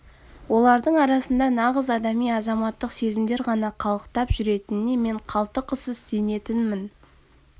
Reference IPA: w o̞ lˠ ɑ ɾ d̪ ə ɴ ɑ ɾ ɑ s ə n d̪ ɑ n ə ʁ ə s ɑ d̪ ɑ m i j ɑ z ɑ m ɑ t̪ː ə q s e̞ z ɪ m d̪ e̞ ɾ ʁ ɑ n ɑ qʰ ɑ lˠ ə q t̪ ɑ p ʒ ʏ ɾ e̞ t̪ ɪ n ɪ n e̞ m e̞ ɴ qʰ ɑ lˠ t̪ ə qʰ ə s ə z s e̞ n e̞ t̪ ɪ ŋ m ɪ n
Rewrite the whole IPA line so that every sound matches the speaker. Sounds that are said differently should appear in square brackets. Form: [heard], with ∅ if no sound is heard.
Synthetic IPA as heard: w o̞ lˠ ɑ ɾ d̪ ə ɴ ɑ ɾ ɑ s ə n d̪ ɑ n [ɑ] ʁ ə [z] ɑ d̪ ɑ m i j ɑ z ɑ m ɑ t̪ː ə q s e̞ z ɪ m d̪ e̞ ɾ ʁ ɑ n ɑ qʰ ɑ lˠ ə q t̪ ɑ p ʒ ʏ ɾ e̞ t̪ ɪ n ɪ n e̞ m e̞ ɴ qʰ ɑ lˠ t̪ ə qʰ ə s ə z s e̞ n e̞ t̪ ɪ [n] m ɪ n

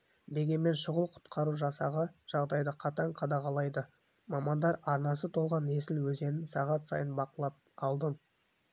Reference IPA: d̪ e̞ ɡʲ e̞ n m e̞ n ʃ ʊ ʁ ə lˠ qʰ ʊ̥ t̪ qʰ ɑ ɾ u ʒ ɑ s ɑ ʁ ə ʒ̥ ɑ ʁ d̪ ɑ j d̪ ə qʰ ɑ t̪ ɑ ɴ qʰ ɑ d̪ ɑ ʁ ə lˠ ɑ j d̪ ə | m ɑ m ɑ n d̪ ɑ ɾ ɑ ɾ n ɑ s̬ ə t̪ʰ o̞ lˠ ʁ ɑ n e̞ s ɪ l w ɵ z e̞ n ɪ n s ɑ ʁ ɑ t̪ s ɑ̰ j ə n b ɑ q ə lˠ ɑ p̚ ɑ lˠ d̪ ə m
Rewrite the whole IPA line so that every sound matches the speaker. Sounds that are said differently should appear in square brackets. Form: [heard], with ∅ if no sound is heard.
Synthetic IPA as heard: d̪ e̞ ɡʲ e̞ n m e̞ n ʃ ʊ ʁ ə lˠ qʰ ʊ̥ t̪ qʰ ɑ ɾ u ʒ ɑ s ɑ ʁ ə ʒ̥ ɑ ʁ d̪ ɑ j d̪ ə qʰ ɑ t̪ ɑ ɴ qʰ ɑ d̪ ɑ ʁ [ɑ] lˠ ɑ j d̪ ə | m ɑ m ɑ n d̪ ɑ ɾ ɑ ɾ n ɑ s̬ ə t̪ʰ o̞ lˠ ʁ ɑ n e̞ s ɪ l w ɵ z e̞ n ɪ n s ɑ ʁ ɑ t̪ s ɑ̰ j ə n b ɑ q ə lˠ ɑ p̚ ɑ lˠ d̪ ə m

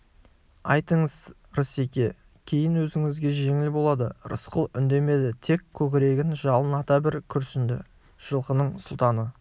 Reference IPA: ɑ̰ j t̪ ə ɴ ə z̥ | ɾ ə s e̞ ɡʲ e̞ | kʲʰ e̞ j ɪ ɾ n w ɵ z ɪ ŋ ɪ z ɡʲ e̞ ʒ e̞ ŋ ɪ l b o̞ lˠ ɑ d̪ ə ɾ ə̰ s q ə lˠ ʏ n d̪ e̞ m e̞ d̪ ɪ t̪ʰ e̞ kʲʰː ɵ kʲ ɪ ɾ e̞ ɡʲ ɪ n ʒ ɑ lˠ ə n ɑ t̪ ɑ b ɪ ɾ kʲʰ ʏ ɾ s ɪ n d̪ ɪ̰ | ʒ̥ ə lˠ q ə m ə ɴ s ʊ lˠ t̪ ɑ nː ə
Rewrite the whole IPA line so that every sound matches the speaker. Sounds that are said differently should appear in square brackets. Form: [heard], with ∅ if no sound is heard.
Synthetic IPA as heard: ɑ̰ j t̪ ə ɴ ə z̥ | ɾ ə s e̞ [kʲ] e̞ | kʲʰ e̞ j ɪ [∅] n w ɵ z ɪ ŋ ɪ z ɡʲ e̞ ʒ e̞ ŋ ɪ l b o̞ lˠ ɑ d̪ ə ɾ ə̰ s q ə lˠ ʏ n d̪ e̞ m e̞ d̪ ɪ t̪ʰ e̞ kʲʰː ɵ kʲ ɪ ɾ e̞ ɡʲ ɪ n ʒ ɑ lˠ ə n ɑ t̪ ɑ b ɪ ɾ kʲʰ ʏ ɾ s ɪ n d̪ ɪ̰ | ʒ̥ ə lˠ q ə [n] ə ɴ s ʊ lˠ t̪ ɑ [n] ə

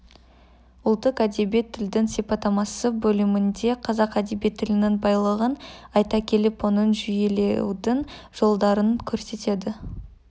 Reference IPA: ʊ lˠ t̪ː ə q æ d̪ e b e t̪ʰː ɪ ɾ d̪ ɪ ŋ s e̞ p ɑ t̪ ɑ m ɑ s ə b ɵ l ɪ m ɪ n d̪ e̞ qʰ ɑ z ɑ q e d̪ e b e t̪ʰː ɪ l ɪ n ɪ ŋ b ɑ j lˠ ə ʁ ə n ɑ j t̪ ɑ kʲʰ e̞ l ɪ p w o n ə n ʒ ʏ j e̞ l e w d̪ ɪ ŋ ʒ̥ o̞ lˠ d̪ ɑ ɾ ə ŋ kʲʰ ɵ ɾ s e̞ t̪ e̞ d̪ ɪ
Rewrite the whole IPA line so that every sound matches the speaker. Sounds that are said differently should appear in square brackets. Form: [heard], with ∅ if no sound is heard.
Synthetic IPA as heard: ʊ lˠ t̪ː ə q æ d̪ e b e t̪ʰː ɪ [l] d̪ ɪ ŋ s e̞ p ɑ t̪ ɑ m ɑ s ə b ɵ l ɪ m ɪ n d̪ e̞ qʰ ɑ z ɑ q [æ] d̪ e b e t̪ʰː ɪ l ɪ n ɪ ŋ b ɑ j lˠ ə ʁ ə n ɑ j t̪ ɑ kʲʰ e̞ l ɪ p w o n ə n ʒ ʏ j e̞ l e w d̪ ɪ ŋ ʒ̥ o̞ lˠ d̪ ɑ ɾ ə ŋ kʲʰ ɵ ɾ s e̞ t̪ e̞ d̪ ɪ

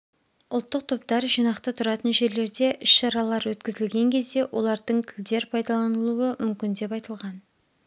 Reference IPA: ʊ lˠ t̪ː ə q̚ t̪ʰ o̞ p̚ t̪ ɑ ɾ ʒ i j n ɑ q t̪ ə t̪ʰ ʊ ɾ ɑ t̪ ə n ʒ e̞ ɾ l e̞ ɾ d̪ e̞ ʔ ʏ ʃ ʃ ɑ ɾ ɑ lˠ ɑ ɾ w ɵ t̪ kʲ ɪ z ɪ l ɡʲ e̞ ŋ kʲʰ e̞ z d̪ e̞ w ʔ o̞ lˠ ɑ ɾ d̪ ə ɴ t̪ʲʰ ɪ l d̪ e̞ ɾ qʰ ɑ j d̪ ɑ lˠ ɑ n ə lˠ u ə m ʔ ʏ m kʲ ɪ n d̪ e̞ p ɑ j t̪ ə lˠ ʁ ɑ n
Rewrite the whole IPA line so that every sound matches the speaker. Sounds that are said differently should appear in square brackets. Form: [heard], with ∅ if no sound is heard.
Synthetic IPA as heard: ʊ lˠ t̪ː ə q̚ t̪ʰ o̞ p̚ t̪ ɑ ɾ ʒ i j n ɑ q t̪ ə t̪ʰ ʊ ɾ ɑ t̪ ə n ʒ e̞ ɾ l e̞ ɾ d̪ e̞ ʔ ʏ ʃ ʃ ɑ ɾ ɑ lˠ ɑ ɾ w ɵ t̪ kʲ ɪ z ɪ l ɡʲ e̞ ŋ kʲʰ e̞ z d̪ e̞ w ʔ o̞ lˠ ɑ ɾ d̪ ə ɴ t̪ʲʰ ɪ l d̪ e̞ ɾ [pʰ] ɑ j d̪ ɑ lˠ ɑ n ə lˠ u ə m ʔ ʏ m kʲ ɪ n d̪ e̞ p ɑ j t̪ ə lˠ ʁ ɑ n

